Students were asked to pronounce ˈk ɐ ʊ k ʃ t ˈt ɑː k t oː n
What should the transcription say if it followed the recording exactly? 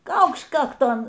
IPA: ˈk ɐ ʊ k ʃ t ˈk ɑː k t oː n